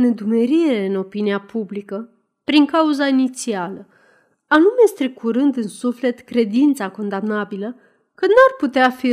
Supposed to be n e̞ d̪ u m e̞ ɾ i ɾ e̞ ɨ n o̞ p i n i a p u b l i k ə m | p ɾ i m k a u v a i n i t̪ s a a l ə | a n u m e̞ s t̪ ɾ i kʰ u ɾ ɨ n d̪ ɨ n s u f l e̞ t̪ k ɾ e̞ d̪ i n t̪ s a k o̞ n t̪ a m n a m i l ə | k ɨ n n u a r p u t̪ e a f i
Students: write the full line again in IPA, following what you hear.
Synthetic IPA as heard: n e̞ d̪ u m e̞ ɾ i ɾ e̞ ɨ n o̞ p i n i a p u b l i k ə | p ɾ i ŋ k a u z a i n i t̪ s i a l ə | a n u m e̞ s t̪ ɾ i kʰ u ɾ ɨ n d̪ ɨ n s u f l e̞ t̪ k ɾ e̞ d̪ i n t̪ s a k o̞ n d̪ a m n a b i l ə | k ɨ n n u a r p u t̪ e a f i